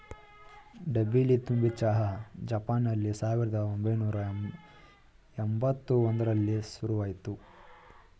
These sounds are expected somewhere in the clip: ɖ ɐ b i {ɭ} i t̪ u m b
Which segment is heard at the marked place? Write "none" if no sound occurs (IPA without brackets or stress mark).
l